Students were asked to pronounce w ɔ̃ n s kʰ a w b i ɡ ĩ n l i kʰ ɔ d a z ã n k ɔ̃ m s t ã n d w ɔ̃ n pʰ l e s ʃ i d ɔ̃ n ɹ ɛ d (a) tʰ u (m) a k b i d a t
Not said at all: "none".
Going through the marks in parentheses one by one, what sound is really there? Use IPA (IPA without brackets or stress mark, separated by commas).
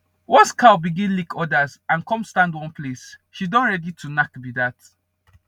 i, n